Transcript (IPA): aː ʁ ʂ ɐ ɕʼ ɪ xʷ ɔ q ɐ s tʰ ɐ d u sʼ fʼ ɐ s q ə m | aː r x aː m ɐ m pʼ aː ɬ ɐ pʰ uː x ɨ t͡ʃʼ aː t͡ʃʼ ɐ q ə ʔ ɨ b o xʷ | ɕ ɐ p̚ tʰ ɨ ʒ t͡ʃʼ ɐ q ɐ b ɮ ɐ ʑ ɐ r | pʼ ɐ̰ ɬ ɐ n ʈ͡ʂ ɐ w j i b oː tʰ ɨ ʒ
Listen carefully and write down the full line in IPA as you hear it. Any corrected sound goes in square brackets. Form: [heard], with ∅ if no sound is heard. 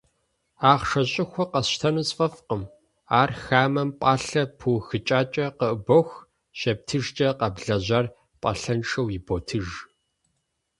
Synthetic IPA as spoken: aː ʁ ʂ ɐ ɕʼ ɪ xʷ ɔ q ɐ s tʰ ɐ [n] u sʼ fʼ ɐ [f] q ə m | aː r x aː m ɐ m pʼ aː ɬ ɐ pʰ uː x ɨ t͡ʃʼ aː t͡ʃʼ ɐ q ə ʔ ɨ b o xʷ | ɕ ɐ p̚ tʰ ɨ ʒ t͡ʃʼ ɐ q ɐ b ɮ ɐ ʑ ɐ r | pʼ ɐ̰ ɬ ɐ n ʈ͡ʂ ɐ w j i b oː tʰ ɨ ʒ